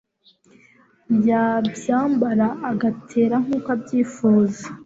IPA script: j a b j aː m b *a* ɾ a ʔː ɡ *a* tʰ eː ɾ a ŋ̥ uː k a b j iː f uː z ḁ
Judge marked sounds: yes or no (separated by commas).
yes, yes